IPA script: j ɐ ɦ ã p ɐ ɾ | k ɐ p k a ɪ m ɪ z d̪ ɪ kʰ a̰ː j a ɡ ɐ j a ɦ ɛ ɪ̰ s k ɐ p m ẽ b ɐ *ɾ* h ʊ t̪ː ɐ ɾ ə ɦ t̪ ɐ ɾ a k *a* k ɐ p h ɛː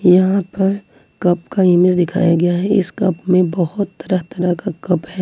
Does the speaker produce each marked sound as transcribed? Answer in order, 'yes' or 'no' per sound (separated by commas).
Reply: no, yes